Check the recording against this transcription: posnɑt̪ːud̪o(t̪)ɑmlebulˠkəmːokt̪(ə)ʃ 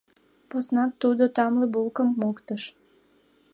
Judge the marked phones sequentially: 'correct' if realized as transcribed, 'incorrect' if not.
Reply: correct, correct

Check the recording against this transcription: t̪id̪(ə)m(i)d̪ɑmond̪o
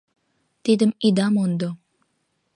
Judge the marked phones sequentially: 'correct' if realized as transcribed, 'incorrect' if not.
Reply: correct, correct

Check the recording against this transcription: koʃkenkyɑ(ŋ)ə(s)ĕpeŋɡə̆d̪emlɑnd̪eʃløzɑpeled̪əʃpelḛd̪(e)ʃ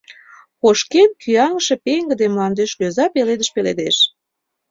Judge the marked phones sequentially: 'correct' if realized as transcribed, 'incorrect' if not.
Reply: correct, incorrect: ʃ, correct

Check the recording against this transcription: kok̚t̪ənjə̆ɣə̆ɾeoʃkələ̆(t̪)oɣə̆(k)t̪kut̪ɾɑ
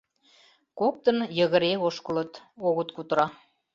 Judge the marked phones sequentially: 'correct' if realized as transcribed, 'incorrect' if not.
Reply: correct, incorrect: none

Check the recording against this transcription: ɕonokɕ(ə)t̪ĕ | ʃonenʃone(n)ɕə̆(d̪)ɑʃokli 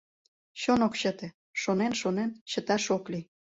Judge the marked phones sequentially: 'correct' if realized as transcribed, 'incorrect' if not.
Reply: correct, correct, incorrect: t̪

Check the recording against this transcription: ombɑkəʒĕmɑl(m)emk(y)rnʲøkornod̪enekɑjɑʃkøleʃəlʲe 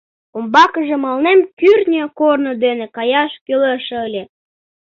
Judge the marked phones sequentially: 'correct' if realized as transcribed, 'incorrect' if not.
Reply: incorrect: n, correct

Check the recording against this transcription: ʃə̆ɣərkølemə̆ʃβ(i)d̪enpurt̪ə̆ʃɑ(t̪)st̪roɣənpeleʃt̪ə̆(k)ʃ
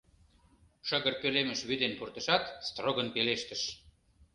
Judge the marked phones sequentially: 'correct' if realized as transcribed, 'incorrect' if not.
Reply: incorrect: y, correct, incorrect: none

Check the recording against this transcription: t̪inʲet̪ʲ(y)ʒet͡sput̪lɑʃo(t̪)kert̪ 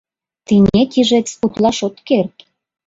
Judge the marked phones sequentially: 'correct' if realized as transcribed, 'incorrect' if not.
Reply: incorrect: i, correct

